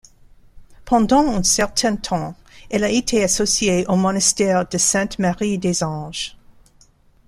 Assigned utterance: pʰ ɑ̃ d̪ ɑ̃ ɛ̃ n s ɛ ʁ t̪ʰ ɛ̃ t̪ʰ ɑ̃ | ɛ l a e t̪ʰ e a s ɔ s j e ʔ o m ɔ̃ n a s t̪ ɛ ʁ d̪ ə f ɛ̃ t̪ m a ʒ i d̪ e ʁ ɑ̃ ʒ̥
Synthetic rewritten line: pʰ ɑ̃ d̪ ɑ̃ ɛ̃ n s ɛ ʁ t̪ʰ ɛ̃ t̪ʰ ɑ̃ | ɛ l a e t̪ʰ e a s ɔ s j e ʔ o m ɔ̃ n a s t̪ ɛ ʁ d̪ ə s ɛ̃ t̪ m a ʁ i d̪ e z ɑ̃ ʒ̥